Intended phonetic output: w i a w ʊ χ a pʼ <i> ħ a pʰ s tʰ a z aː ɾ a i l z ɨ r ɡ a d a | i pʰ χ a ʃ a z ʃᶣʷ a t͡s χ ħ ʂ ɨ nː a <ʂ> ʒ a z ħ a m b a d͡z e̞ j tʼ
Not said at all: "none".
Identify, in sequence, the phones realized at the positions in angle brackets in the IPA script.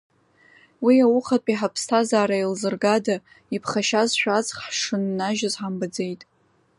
i, none

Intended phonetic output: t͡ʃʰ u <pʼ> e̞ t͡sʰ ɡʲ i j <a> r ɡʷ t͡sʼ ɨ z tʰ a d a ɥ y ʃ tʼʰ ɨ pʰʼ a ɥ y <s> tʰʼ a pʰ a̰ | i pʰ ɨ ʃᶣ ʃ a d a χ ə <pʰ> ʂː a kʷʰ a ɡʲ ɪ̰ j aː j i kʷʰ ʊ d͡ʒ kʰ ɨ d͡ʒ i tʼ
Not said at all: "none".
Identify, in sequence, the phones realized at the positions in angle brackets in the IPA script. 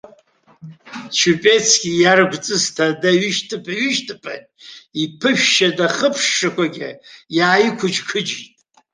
pʼ, a, ʃ, pʰ

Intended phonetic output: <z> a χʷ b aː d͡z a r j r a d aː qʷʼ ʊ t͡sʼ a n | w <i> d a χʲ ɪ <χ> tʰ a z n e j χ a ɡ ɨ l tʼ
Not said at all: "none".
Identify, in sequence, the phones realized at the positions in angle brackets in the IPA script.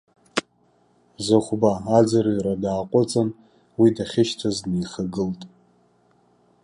z, i, ʃ

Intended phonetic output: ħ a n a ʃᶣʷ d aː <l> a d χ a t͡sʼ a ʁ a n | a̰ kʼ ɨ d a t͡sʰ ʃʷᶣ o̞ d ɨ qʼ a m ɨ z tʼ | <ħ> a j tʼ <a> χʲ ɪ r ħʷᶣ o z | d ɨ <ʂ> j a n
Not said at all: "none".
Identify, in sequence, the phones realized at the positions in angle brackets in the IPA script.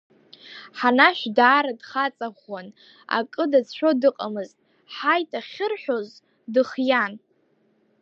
ɾ, ħ, a, χ

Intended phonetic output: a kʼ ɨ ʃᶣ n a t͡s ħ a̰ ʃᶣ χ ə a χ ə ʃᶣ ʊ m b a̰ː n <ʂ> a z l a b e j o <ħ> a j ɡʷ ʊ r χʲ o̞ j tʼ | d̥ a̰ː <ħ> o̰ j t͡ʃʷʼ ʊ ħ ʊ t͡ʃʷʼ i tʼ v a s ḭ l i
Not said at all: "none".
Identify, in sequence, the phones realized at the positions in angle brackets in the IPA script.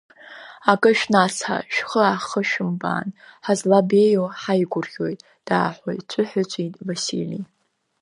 ħ, ħ, ħ

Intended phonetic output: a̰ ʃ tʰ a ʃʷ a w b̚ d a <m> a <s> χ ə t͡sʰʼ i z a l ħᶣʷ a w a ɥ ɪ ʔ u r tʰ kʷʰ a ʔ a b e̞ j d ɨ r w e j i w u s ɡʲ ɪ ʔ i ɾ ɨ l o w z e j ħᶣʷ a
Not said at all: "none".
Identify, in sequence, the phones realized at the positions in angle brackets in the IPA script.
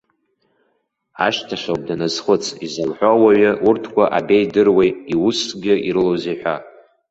n, z

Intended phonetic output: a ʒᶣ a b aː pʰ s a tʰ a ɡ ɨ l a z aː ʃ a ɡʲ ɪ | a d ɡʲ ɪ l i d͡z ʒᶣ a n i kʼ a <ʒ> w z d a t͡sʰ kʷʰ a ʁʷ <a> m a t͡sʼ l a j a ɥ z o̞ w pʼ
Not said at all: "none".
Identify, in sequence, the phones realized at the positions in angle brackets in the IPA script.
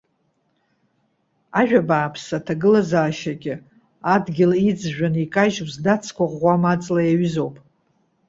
ʒ, a

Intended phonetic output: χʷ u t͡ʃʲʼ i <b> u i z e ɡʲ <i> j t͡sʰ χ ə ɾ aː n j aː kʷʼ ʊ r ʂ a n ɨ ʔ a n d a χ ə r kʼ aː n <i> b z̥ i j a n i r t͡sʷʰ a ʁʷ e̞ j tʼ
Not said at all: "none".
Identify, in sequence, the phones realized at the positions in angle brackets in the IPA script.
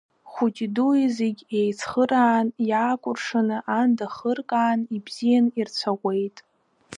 d, e, i

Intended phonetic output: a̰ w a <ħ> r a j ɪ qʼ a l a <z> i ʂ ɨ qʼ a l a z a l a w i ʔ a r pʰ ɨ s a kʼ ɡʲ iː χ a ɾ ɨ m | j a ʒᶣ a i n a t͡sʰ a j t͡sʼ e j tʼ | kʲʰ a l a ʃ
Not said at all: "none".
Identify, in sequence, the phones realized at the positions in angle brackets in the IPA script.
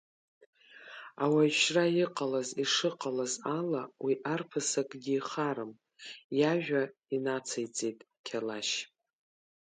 ʃ, z

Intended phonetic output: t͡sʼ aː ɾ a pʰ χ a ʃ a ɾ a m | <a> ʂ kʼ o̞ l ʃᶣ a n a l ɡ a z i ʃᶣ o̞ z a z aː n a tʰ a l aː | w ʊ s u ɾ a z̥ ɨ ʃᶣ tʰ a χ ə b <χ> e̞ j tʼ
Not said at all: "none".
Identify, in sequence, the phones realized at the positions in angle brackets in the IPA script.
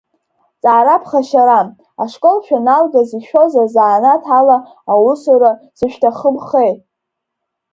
a, χ

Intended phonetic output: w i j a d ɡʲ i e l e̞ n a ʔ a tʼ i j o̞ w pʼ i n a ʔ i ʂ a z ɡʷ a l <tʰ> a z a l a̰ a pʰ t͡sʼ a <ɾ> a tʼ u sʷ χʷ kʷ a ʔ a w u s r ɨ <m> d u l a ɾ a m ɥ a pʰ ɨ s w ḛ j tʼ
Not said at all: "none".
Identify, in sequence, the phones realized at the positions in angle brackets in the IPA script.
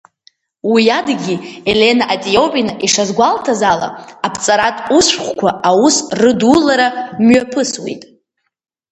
tʰ, ɾ, none

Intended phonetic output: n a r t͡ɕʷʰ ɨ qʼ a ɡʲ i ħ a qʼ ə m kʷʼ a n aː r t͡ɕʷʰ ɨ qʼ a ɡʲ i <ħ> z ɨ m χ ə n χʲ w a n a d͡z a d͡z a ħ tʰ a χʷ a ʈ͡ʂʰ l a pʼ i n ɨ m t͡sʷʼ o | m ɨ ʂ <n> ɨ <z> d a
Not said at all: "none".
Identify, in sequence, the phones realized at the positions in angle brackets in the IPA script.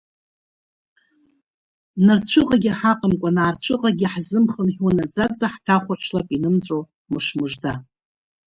ħ, m, ʐ

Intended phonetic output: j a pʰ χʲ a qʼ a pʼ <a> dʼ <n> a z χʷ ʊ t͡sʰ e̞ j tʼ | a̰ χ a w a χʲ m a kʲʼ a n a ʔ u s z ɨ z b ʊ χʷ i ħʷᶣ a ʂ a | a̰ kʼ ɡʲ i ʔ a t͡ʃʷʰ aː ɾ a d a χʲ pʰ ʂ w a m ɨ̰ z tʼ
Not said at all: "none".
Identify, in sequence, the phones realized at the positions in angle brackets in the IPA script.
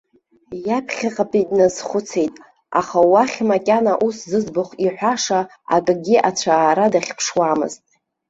i, n

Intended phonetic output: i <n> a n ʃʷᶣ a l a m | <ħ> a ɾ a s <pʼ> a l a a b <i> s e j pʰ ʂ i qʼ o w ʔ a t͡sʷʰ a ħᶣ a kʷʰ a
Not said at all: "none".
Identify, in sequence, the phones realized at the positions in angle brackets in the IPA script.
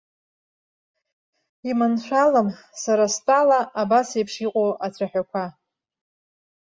m, s, tʼ, a

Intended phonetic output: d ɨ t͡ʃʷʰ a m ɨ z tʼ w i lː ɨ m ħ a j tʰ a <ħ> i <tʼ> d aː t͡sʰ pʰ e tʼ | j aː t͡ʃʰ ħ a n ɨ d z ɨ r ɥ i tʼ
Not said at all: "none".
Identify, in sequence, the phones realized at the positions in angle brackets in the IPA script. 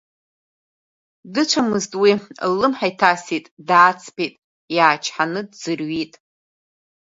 s, tʼ

